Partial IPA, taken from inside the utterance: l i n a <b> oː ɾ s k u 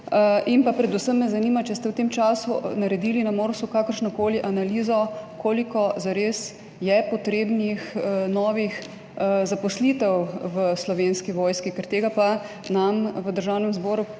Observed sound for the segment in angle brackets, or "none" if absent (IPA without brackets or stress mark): m